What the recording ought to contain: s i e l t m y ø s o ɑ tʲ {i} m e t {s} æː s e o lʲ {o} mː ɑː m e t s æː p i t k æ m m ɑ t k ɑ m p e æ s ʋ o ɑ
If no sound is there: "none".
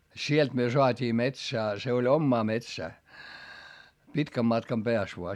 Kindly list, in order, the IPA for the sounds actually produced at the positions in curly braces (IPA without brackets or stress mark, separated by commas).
iː, s, o